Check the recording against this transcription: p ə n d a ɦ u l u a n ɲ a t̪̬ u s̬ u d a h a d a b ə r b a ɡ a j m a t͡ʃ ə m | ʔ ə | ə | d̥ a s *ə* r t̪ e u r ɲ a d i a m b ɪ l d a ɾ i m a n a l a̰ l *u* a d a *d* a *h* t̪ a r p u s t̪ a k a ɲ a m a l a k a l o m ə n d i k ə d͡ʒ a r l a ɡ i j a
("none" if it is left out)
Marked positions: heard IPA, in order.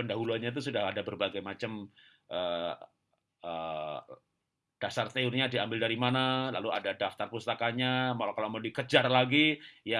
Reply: a, u, d, f

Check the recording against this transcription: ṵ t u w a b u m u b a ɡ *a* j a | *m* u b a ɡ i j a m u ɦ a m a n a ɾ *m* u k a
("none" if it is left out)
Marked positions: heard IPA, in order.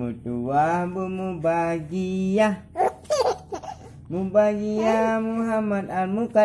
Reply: i, m, m

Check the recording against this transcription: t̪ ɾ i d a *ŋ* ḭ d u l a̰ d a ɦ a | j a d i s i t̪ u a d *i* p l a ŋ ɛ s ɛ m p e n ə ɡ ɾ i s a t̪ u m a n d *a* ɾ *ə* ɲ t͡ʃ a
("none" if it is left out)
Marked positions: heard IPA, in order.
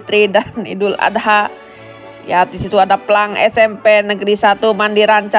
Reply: n, a, i, a

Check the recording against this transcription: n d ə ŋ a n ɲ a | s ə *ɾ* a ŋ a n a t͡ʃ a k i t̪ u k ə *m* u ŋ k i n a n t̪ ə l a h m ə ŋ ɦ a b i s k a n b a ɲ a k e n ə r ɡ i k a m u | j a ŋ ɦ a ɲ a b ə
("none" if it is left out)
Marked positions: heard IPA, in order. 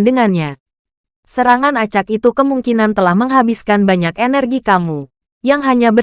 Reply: ɾ, m

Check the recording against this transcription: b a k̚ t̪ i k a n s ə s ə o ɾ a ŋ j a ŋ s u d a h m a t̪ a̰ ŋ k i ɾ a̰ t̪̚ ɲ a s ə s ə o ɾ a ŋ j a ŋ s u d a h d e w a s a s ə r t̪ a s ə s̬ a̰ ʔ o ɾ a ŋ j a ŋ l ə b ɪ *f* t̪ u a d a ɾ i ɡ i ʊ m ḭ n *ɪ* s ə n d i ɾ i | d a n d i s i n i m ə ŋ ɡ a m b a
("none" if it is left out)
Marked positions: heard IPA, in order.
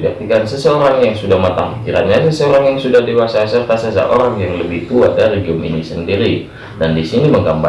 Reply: h, i

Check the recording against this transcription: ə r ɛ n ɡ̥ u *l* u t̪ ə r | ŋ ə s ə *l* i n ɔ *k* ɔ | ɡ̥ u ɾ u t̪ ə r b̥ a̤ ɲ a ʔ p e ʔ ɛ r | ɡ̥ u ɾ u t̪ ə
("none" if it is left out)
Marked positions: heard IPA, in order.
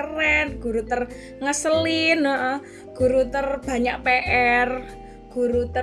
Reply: ɾ, l, ʔ

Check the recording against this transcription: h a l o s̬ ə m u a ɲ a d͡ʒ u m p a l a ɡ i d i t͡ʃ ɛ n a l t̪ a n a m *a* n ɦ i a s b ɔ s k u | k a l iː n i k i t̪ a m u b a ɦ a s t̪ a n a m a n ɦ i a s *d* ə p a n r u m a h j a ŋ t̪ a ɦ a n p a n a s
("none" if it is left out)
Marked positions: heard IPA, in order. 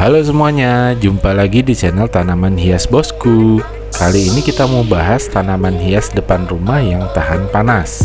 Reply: a, d

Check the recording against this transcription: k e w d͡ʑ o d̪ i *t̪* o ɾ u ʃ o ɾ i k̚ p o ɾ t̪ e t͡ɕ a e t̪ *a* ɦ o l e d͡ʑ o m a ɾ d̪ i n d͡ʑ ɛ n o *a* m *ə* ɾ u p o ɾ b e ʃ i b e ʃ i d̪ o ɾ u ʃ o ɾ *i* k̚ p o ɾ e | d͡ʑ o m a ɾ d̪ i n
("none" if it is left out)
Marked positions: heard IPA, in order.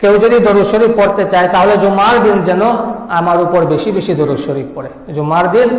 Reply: d̪, a, a, a, i

